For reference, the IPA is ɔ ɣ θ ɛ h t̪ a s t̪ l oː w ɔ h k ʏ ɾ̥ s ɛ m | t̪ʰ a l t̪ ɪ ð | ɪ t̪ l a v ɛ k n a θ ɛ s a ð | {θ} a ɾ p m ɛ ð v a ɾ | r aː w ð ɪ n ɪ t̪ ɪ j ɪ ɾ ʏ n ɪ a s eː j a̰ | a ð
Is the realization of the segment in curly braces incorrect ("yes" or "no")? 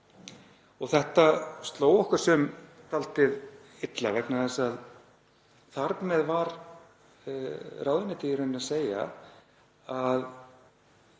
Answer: no